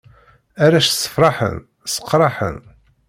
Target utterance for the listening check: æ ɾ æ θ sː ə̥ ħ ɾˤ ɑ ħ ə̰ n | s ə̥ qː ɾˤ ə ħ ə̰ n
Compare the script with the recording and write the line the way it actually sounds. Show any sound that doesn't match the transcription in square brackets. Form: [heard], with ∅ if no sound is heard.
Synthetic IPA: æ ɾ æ [ʃ] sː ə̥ [f] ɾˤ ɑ ħ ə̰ n | s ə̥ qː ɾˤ [ɑ] ħ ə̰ n